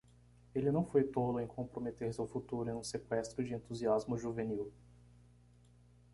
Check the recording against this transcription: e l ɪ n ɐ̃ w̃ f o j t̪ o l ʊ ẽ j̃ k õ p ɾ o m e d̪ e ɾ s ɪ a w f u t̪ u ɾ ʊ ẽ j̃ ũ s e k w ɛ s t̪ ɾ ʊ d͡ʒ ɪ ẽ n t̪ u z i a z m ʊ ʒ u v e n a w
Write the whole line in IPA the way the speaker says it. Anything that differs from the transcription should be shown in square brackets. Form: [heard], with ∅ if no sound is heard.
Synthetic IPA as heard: e l ɪ n ɐ̃ w̃ f o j t̪ o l ʊ ẽ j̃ k õ p ɾ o m e [t̪] e ɾ s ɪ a w f u t̪ u ɾ ʊ ẽ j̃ ũ s e k w ɛ s t̪ ɾ ʊ d͡ʒ ɪ ẽ n t̪ u z i a z m ʊ ʒ u v e n [i] w